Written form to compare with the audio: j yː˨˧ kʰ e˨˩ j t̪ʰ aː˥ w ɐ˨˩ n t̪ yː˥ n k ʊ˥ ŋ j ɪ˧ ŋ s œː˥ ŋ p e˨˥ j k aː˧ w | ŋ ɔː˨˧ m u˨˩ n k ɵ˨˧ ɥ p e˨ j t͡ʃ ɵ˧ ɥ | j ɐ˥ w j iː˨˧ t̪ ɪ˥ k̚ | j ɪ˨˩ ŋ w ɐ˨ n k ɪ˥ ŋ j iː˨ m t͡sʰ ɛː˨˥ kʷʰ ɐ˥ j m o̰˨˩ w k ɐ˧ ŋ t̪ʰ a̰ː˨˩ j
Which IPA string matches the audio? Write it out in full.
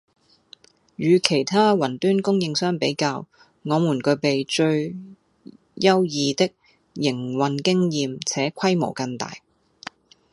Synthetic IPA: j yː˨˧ kʰ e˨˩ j t̪ʰ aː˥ w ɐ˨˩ n t̪ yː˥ n k ʊ˥ ŋ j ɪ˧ ŋ s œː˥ ŋ p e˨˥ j k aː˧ w | ŋ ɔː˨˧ m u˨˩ n k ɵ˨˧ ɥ p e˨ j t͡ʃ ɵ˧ ɥ | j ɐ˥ w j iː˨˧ t̪ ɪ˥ k̚ | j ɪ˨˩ ŋ w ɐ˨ n k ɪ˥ ŋ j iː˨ m t͡sʰ ɛː˨˥ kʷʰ ɐ˥ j m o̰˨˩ w k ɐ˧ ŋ t̪ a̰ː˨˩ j

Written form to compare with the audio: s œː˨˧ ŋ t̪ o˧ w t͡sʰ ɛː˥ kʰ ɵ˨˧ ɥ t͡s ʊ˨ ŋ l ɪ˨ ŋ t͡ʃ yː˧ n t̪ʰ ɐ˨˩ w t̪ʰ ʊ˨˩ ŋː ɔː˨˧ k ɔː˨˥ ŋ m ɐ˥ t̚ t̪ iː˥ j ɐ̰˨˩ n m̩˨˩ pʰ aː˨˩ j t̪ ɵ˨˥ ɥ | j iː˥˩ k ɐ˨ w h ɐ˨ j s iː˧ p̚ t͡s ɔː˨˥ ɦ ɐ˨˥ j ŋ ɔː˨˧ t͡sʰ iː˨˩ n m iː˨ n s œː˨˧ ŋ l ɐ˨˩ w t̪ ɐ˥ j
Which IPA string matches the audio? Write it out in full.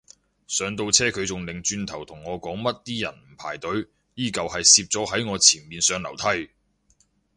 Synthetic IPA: s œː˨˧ ŋ t̪ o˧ w t͡sʰ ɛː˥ kʰ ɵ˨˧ ɥ t͡s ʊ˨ ŋ l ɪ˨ ŋ t͡ʃ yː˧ n t̪ʰ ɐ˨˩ w t̪ʰ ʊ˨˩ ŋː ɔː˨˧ k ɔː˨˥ ŋ m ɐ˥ t̚ t̪ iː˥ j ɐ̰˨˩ n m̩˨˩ pʰ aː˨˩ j t̪ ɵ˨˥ ɥ | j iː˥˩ k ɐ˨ w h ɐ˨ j s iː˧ p̚ t͡s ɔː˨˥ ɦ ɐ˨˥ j ŋ ɔː˨˧ t͡sʰ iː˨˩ n m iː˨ n s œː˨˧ ŋ l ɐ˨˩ w t̪ʰ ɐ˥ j

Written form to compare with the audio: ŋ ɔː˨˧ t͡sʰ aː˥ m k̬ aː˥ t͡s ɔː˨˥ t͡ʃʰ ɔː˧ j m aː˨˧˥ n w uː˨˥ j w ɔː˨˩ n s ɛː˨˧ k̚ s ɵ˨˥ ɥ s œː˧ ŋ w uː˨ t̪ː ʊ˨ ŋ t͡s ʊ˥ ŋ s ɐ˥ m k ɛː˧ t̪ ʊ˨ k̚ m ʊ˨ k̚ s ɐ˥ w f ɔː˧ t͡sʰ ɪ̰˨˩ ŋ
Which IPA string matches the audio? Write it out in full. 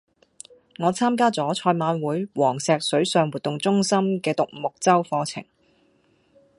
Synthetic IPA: ŋ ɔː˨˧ t͡sʰ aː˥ m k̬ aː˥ t͡s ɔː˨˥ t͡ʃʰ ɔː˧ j m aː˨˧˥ n w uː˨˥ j w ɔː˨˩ ŋ s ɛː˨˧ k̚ s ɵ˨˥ ɥ s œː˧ ŋ w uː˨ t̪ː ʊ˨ ŋ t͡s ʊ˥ ŋ s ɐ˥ m k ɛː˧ t̪ ʊ˨ k̚ m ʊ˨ k̚ t͡s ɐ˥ w f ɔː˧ t͡sʰ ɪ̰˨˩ ŋ

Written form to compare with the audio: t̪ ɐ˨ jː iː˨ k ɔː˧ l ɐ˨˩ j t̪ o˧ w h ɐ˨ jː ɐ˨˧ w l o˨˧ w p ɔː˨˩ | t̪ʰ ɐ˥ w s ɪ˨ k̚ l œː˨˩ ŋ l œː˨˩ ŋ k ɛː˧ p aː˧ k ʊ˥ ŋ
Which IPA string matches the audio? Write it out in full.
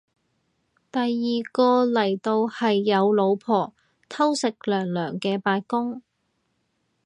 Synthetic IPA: t̪ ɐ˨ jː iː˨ k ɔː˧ l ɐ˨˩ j t̪ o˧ w h ɐ˨ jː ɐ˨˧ w l o˨˧ w pʰ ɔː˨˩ | t̪ʰ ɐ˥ w s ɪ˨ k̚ l œː˨˩ ŋ l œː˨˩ ŋ k ɛː˧ p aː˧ k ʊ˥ ŋ

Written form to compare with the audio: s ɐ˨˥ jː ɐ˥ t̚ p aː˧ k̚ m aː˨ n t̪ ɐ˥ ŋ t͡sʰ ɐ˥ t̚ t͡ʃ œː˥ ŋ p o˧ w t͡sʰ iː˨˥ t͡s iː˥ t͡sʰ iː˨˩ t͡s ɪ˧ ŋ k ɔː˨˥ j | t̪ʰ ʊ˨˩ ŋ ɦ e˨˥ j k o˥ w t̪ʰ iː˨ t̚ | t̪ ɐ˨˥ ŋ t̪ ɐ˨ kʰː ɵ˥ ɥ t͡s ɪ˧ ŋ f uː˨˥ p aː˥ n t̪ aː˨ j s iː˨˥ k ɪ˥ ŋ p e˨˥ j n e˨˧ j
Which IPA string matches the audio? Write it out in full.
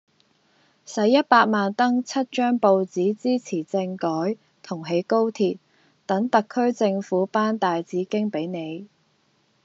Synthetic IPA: s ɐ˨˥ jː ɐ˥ t̚ p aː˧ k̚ m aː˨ n t̪ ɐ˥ ŋ t͡sʰ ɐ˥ t̚ t͡ʃ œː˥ ŋ p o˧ w t͡s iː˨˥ t͡s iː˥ t͡sʰ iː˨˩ t͡s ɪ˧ ŋ k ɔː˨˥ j | t̪ʰ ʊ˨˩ ŋ ɦ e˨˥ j k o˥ w t̪ʰ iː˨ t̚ | t̪ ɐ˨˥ ŋ t̪ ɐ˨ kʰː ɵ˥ ɥ t͡s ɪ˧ ŋ f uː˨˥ p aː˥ n t̪ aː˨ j t͡s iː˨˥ k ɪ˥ ŋ p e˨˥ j n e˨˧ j

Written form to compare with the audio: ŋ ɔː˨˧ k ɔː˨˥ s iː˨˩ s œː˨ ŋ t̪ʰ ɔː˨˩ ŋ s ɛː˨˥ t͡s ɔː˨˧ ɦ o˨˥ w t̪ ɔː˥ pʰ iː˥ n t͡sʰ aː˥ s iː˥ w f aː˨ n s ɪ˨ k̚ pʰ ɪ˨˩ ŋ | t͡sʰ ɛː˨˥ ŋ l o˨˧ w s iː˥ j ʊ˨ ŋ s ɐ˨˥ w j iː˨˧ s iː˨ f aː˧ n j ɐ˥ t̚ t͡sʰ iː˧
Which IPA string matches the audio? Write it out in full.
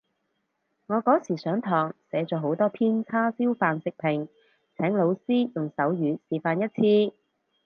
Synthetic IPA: ŋ ɔː˨˧ k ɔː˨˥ s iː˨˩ s œː˨˥ ŋ t̪ʰ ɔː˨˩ ŋ s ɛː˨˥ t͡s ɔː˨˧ ɦ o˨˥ w t̪ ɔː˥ pʰ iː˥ n t͡sʰ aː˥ s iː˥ w f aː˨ n s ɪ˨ k̚ pʰ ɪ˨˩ ŋ | t͡sʰ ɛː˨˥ ŋ l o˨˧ w s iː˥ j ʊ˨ ŋ s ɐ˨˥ w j yː˨˧ s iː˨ f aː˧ n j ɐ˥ t̚ t͡sʰ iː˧

